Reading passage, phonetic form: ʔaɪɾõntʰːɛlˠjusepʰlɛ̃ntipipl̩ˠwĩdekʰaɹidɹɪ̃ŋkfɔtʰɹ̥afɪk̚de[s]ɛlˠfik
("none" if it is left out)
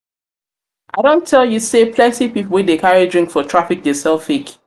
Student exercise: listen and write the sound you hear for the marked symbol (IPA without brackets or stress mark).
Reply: s